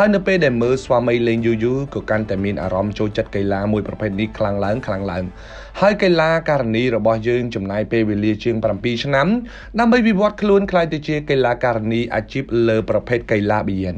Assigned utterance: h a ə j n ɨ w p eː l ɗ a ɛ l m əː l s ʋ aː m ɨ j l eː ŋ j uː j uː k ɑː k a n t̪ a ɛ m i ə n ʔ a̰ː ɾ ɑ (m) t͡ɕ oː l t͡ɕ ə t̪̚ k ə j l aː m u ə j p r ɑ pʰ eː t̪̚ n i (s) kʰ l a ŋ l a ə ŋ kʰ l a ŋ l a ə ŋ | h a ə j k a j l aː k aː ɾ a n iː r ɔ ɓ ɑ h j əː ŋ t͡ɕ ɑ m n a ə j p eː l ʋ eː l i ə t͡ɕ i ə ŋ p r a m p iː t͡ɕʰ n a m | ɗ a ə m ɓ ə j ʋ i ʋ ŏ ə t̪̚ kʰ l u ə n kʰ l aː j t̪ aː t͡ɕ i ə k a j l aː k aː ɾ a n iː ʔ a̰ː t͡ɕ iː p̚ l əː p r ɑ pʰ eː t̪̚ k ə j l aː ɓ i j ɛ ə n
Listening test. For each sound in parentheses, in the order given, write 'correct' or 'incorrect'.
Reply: correct, incorrect: h

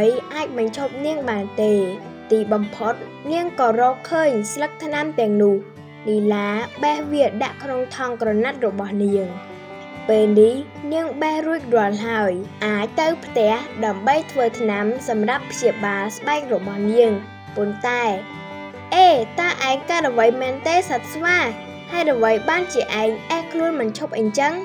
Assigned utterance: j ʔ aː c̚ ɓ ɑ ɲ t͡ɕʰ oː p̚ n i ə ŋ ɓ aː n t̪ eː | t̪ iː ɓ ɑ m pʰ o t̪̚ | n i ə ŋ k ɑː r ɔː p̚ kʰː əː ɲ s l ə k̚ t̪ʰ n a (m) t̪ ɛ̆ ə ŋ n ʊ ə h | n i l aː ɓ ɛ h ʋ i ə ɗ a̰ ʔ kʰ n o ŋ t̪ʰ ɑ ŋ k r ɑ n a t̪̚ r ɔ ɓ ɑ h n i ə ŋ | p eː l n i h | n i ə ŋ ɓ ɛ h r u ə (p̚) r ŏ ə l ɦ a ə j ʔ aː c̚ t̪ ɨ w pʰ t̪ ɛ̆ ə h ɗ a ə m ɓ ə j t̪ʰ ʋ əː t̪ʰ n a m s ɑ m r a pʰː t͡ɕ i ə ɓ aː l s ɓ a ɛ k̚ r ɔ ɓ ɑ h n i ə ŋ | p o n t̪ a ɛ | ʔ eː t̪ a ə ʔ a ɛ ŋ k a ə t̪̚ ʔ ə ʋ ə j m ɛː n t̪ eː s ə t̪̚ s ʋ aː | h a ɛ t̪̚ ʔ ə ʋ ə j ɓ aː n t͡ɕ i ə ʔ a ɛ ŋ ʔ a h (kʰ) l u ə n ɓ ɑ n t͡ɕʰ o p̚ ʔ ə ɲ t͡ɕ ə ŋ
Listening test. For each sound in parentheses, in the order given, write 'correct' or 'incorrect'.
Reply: correct, incorrect: c̚, correct

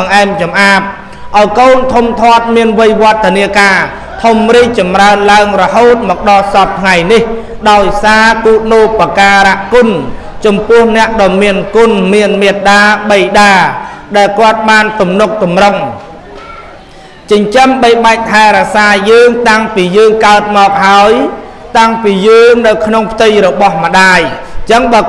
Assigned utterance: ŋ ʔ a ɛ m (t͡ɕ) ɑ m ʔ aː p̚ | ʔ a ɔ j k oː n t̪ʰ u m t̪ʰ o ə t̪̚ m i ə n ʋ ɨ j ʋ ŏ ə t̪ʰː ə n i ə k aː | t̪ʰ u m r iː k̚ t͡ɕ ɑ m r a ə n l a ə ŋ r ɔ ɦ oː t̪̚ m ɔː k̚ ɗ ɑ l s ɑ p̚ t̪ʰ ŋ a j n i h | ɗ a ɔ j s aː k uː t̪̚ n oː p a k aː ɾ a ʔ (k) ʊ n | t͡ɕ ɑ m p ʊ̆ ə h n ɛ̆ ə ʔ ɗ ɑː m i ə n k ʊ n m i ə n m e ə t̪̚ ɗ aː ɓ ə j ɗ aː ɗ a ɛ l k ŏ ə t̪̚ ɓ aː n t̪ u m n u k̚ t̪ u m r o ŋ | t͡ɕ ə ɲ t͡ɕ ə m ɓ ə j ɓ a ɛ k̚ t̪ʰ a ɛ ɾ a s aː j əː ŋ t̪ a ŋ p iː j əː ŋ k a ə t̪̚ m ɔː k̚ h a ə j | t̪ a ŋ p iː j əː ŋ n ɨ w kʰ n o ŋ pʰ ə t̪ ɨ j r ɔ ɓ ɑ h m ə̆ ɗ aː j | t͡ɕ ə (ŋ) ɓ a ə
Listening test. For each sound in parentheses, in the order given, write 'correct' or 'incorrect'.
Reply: correct, correct, correct

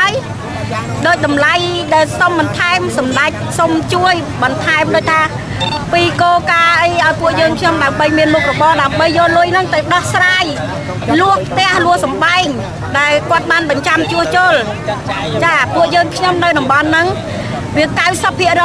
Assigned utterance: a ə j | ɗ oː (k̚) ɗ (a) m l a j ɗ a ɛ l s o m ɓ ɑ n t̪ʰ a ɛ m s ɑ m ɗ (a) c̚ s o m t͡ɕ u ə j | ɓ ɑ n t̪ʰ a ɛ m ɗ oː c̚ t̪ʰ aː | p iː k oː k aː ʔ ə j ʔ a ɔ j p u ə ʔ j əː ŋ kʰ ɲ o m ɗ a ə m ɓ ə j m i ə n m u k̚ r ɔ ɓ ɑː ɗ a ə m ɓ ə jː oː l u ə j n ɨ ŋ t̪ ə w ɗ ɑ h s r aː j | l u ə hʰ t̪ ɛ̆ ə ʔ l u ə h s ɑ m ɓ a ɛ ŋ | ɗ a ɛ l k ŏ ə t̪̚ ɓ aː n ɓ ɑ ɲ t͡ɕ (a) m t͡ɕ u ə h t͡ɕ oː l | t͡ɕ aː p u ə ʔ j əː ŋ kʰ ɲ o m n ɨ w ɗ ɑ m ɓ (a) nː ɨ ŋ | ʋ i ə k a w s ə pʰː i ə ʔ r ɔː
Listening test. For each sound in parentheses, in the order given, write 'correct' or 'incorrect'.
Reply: incorrect: c̚, incorrect: ɑ, correct, correct, incorrect: ɑ

